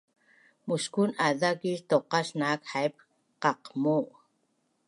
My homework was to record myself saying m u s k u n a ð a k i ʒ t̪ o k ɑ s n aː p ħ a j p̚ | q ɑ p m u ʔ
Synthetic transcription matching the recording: m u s k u n a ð a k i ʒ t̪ o q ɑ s n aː k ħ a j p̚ | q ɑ q m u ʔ